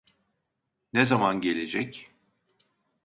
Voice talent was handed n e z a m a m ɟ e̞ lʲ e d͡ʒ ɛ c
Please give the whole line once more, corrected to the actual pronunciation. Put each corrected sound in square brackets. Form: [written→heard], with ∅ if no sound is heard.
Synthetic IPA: n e z a m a [m→n] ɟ e̞ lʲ e d͡ʒ ɛ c